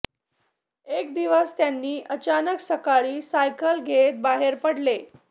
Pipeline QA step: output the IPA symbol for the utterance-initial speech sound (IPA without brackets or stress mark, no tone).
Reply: e